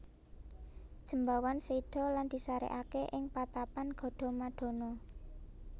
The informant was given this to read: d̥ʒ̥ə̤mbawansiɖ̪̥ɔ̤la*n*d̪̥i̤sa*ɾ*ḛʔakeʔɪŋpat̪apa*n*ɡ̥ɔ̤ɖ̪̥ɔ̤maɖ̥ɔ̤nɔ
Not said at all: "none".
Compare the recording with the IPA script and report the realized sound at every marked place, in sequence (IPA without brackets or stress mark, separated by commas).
n, ɾ, n